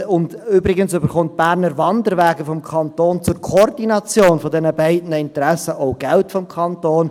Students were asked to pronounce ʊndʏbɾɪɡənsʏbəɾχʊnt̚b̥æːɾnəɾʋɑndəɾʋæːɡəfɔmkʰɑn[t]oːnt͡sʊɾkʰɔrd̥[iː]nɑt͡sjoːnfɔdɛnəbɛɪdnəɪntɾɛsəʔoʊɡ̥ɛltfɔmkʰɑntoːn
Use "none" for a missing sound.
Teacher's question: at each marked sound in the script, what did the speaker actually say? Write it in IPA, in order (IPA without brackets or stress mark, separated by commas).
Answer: t, i